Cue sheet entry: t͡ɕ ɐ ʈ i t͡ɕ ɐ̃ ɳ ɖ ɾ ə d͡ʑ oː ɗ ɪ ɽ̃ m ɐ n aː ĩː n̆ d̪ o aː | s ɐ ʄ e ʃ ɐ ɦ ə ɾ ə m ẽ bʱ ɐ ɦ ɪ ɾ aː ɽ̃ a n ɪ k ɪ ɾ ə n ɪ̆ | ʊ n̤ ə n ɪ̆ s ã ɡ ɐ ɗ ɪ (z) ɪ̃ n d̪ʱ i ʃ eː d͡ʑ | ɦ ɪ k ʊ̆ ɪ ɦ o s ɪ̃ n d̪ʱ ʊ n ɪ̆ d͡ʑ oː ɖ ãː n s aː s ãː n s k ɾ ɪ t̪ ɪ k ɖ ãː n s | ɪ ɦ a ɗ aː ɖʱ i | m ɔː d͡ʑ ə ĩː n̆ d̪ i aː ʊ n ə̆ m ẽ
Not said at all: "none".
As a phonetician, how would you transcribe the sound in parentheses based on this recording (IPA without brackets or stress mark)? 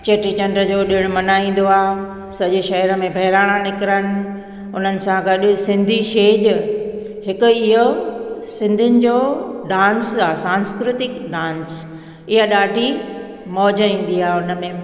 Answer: s